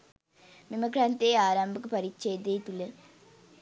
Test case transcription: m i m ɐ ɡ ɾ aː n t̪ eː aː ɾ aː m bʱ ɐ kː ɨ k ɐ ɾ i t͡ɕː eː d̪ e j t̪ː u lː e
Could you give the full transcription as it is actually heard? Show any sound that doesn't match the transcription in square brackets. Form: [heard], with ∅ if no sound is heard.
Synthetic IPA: m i m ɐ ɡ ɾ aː n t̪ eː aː ɾ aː m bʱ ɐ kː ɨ [p] ɐ ɾ i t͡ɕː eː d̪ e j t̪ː u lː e